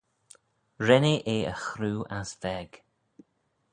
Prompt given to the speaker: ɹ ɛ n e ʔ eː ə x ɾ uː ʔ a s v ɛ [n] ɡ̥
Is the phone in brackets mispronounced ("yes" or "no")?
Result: yes